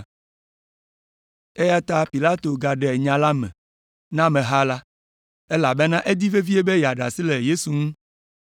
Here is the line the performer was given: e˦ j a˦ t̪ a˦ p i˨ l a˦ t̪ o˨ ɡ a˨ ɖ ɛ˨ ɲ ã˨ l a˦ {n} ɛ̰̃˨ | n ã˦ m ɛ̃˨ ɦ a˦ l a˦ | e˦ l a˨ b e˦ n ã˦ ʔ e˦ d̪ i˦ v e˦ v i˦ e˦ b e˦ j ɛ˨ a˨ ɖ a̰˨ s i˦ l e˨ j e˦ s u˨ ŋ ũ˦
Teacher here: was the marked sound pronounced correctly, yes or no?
no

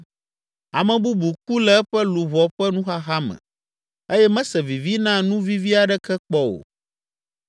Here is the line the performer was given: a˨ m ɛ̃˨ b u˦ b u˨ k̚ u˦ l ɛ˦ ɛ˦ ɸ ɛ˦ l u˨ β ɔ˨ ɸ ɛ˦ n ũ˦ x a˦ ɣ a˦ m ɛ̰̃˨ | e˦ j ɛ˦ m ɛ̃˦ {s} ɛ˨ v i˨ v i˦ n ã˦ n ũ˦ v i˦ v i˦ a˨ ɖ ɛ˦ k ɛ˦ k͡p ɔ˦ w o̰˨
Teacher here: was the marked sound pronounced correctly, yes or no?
yes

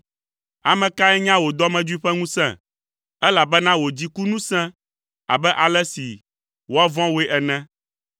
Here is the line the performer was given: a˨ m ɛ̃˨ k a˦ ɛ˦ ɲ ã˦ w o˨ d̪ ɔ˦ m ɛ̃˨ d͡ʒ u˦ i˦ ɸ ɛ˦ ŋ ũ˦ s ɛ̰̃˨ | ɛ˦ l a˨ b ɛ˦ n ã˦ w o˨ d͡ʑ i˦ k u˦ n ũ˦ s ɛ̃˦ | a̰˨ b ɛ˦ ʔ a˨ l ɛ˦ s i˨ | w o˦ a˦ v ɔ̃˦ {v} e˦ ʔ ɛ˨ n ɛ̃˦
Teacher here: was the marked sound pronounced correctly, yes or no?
no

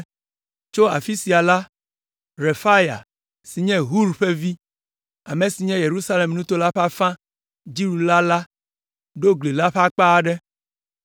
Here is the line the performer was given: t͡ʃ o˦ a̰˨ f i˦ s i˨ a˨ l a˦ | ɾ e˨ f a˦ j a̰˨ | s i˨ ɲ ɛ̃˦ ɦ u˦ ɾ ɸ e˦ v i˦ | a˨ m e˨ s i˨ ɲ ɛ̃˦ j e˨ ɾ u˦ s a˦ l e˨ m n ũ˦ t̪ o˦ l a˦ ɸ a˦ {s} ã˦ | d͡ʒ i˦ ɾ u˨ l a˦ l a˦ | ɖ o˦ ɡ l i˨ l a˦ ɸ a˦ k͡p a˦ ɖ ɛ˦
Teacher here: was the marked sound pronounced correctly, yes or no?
no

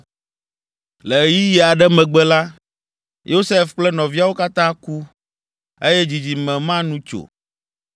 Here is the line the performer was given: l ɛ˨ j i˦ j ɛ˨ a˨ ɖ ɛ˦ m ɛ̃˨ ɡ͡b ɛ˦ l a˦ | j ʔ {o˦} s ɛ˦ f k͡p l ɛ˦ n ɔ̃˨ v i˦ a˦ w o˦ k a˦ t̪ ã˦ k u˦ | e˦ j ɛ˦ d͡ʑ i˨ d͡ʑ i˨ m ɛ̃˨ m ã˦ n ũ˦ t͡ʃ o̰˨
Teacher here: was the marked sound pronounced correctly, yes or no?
yes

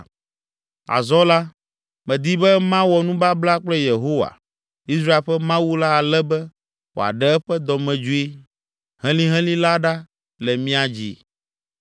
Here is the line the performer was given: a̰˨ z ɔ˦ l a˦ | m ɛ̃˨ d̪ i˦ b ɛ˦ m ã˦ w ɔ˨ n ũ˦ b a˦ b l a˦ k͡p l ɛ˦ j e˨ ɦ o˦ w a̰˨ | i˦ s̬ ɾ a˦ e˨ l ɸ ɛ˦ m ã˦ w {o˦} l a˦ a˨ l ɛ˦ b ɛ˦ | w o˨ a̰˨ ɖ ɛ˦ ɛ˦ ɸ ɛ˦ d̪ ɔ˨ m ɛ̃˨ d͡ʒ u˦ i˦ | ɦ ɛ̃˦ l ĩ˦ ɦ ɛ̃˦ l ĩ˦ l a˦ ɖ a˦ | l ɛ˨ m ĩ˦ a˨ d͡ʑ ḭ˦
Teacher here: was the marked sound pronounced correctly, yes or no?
no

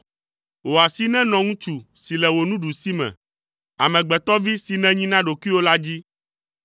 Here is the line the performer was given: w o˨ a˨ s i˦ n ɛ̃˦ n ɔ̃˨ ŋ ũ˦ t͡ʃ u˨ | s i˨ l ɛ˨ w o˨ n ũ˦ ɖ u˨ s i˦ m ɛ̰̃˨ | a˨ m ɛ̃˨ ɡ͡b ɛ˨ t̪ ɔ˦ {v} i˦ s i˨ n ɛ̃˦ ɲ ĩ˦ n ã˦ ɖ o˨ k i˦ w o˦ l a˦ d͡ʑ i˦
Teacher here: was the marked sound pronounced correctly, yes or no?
yes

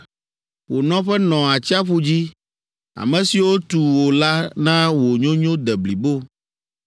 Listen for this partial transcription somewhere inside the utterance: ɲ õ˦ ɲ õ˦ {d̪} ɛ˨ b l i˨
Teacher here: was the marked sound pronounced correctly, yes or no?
yes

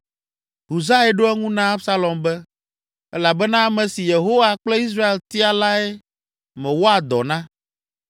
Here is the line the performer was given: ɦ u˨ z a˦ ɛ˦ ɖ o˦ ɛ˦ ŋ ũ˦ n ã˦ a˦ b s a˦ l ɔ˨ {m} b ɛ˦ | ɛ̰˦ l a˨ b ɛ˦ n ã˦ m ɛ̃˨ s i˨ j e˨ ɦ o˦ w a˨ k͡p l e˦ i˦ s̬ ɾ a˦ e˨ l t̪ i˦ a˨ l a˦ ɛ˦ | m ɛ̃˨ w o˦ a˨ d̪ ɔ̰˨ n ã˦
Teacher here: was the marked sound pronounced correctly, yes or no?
yes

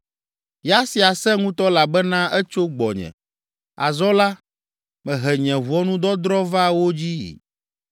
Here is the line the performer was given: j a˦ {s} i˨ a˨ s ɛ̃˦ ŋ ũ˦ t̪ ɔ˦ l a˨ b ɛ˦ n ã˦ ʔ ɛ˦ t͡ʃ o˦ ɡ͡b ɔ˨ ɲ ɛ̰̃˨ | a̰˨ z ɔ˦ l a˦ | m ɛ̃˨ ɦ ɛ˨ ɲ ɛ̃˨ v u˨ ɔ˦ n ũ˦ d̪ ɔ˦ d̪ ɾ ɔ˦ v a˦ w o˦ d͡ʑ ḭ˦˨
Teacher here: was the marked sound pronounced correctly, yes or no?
yes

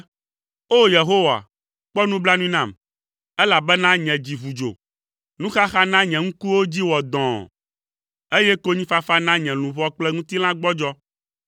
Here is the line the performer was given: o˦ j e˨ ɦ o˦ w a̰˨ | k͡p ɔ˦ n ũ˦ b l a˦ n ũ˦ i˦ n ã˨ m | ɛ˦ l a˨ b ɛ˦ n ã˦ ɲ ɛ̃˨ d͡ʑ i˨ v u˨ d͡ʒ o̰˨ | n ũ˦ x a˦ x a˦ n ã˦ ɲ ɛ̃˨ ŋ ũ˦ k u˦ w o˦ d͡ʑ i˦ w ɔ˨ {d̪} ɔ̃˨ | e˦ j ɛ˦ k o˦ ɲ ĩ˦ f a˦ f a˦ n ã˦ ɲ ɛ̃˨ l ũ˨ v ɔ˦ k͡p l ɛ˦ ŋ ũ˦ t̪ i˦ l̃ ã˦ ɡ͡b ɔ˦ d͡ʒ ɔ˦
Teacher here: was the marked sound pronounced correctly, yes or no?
yes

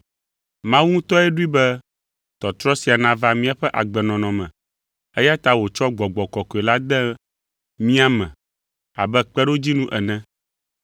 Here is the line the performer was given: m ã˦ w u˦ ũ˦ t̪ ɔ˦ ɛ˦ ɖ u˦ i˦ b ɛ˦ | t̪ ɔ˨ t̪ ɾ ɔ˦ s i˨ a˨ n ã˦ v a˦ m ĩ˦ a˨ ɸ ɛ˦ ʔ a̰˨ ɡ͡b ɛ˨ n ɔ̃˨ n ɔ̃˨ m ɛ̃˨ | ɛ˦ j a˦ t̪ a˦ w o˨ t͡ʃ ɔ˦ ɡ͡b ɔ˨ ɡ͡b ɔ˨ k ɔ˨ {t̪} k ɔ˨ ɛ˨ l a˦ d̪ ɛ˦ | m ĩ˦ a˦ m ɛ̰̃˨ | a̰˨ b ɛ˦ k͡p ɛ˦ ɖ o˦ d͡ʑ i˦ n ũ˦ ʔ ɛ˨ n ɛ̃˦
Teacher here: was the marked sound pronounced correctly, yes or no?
no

